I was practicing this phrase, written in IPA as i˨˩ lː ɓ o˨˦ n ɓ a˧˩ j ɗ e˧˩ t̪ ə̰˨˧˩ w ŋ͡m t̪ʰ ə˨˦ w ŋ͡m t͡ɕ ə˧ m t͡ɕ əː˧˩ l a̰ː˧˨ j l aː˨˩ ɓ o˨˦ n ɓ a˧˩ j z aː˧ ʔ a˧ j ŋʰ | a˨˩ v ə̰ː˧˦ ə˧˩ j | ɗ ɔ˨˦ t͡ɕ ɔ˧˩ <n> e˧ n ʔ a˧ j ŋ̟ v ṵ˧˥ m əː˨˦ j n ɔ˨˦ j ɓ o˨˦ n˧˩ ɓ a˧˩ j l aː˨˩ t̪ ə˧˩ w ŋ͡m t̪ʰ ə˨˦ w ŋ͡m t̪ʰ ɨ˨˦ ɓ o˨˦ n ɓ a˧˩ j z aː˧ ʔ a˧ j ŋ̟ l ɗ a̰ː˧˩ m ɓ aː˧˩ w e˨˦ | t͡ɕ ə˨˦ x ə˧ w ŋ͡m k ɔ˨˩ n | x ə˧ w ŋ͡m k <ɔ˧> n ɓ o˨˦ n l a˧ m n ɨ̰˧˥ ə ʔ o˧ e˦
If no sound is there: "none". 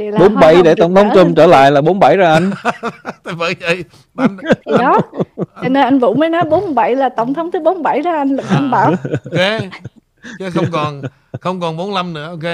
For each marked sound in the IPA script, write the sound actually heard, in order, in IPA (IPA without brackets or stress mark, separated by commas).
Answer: n, ɔ˨˩